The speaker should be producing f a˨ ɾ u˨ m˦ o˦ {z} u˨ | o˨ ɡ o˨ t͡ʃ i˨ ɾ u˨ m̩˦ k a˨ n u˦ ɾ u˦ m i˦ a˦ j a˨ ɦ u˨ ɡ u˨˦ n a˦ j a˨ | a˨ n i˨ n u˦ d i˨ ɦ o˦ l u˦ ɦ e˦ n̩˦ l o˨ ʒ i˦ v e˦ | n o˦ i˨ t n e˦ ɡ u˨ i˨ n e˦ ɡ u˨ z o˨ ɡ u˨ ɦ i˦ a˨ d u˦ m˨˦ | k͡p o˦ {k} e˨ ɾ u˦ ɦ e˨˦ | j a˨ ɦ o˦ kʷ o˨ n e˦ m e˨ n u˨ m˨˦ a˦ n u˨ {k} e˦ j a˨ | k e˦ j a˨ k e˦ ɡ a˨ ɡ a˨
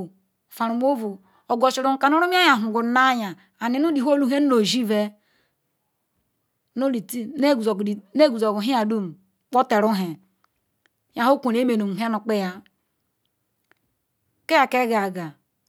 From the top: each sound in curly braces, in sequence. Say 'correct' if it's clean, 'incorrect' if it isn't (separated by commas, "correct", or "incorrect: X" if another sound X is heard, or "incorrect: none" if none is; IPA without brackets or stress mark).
incorrect: v, incorrect: t, incorrect: k͡p